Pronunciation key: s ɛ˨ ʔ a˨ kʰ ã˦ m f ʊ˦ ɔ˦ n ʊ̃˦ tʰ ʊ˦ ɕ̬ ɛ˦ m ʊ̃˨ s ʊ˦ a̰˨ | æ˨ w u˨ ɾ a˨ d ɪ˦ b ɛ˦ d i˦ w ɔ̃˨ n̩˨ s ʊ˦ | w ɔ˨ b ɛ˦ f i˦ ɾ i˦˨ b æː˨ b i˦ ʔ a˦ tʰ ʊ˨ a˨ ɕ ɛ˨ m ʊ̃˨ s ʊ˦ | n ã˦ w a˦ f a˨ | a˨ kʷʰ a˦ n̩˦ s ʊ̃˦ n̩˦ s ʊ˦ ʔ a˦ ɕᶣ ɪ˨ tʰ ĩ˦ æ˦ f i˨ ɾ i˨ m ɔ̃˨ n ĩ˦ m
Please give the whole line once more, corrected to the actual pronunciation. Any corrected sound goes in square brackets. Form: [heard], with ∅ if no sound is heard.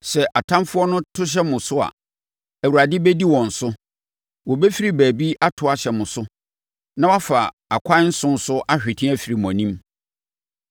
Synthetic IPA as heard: s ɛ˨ ʔ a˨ [tʰ] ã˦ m f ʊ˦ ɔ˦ n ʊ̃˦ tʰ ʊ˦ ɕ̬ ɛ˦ m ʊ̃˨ s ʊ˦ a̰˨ | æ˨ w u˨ ɾ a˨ d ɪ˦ b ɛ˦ d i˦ w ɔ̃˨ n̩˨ s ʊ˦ | w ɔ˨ b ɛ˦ f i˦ ɾ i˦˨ b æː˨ b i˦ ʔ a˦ tʰ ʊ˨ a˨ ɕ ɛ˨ m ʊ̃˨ s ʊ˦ | n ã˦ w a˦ f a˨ | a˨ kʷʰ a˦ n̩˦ s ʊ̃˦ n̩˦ s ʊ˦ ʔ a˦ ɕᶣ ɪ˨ tʰ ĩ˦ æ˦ f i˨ ɾ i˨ m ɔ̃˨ n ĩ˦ m